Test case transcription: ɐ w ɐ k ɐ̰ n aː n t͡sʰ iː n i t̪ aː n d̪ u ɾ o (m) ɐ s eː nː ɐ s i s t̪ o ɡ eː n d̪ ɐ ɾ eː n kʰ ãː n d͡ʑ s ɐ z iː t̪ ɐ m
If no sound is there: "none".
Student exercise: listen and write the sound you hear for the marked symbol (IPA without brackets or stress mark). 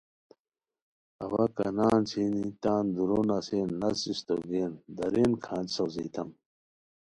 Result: n